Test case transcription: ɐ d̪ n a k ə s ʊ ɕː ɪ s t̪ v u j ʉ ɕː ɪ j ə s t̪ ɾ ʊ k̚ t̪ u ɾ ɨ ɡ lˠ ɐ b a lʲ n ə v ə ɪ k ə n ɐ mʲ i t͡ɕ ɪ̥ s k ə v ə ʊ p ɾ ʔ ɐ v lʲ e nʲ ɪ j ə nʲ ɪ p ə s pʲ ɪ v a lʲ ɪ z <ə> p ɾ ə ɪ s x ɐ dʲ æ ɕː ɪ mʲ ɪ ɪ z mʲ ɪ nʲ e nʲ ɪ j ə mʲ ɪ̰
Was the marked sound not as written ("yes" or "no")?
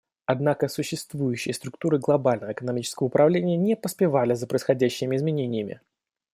no